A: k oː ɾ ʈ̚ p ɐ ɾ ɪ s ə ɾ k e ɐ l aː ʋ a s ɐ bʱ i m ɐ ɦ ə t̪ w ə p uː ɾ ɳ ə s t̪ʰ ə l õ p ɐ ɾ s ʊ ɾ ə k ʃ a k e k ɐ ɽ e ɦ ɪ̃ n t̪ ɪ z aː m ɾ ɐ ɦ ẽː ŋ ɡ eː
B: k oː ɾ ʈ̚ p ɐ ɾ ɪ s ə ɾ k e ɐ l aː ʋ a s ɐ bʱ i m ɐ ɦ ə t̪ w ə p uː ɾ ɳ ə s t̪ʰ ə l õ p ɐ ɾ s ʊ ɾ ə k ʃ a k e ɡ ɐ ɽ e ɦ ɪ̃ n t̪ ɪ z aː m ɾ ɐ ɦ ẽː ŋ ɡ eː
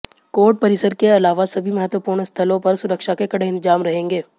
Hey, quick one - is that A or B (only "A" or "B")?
A